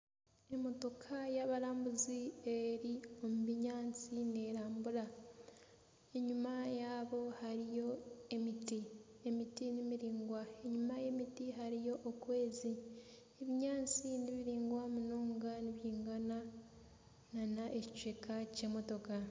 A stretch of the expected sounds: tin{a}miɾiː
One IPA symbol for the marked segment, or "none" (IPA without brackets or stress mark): i